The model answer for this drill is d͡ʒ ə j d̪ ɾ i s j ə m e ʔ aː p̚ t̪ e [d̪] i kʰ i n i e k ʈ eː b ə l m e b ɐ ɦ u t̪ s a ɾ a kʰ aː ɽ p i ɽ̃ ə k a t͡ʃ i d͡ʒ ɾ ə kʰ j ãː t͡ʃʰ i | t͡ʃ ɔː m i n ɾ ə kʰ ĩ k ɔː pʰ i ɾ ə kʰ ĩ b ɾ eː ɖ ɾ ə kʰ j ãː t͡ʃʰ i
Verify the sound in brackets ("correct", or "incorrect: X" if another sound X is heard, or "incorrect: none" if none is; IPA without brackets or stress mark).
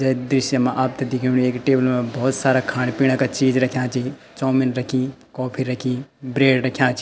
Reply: correct